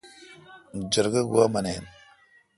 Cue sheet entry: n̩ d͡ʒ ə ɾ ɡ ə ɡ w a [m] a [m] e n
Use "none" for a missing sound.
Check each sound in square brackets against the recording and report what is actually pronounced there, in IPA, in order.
m, n

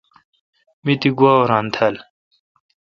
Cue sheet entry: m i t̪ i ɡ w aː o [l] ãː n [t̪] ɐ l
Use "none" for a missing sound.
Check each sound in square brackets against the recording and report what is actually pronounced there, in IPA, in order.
ɾ, t̪ʰ

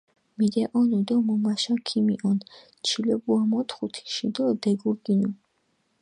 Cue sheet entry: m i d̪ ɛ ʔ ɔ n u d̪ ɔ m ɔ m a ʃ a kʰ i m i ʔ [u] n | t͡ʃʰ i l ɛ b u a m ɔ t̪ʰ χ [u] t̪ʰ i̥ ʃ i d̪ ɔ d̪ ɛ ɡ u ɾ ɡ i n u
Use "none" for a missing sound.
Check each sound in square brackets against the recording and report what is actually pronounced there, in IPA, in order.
ɔ, u

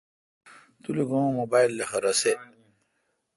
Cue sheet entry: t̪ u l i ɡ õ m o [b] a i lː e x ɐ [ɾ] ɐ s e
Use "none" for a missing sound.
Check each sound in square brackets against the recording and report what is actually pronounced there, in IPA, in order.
b, ɾ

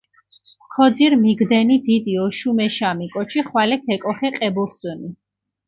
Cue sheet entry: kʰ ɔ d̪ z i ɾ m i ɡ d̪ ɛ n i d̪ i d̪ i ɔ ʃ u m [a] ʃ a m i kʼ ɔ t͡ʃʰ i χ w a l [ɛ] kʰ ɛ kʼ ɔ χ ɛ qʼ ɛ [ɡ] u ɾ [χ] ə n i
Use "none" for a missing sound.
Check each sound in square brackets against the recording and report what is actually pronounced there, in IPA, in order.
ɛ, ɛ, b, s

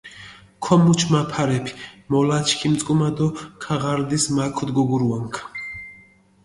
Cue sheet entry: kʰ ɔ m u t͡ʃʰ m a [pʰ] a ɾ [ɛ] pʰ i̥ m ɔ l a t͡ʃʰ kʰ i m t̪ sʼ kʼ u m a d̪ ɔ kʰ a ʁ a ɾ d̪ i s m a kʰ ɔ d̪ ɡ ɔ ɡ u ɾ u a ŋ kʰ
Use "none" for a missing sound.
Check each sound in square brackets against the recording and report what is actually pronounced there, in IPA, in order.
pʰ, ɛ

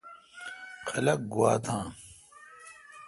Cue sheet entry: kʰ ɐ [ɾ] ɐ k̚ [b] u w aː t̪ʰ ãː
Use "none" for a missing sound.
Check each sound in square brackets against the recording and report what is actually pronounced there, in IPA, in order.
l, ɡ

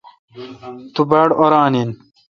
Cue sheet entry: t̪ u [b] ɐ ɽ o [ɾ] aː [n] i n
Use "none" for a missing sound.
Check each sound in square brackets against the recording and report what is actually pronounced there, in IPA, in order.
b, ɾ, n

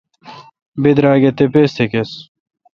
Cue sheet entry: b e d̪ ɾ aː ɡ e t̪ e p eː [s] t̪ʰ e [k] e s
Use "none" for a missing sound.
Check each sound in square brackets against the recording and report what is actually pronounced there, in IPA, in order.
s, k

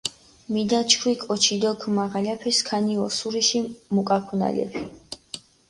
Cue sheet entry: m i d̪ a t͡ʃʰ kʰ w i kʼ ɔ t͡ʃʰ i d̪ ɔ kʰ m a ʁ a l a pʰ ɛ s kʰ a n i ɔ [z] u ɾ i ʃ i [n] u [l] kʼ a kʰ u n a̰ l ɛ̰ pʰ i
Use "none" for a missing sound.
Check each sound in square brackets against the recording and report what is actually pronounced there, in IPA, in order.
s, m, none

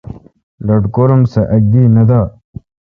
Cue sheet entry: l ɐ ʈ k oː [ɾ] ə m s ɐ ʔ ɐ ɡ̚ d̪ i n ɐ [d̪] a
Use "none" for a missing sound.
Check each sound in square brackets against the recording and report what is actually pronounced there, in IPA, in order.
ɾ, d̪

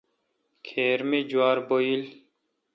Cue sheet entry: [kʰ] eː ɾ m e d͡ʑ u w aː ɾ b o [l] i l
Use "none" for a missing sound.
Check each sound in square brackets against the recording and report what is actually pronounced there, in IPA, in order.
kʰ, none

